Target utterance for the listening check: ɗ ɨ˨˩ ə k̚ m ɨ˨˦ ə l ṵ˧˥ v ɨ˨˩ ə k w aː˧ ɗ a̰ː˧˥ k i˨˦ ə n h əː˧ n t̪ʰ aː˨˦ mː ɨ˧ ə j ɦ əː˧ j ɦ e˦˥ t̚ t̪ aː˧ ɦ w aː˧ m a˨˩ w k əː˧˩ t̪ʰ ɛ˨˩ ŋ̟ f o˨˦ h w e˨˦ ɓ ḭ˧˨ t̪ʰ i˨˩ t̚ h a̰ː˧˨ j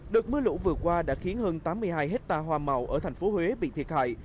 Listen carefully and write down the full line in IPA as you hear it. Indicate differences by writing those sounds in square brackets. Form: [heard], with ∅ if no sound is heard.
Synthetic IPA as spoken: ɗ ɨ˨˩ ə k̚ m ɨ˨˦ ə l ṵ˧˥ v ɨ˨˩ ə k w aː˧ ɗ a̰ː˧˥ [x] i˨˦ ə n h əː˧ n [t̪] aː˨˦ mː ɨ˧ ə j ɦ [aː˧] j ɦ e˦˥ t̚ t̪ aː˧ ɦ w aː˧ m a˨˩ w [ʔ] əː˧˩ t̪ʰ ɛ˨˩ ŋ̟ f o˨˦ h w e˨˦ ɓ ḭ˧˨ t̪ʰ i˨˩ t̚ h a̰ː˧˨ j